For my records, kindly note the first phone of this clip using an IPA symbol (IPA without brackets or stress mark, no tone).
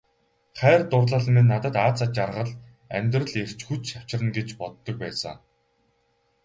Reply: χ